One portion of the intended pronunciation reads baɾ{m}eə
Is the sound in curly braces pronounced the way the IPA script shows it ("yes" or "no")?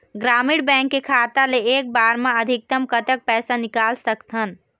yes